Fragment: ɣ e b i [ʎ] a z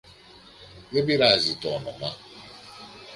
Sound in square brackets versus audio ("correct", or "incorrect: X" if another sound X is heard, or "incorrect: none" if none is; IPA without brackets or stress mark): incorrect: ɾ